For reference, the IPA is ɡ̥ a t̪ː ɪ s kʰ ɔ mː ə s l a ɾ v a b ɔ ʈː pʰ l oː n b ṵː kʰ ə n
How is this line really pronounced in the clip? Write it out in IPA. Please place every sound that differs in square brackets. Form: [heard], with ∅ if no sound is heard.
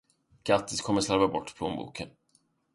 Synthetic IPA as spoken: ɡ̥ a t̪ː ɪ s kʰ ɔ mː ə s l a ɾ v a b ɔ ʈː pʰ l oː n b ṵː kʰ ə n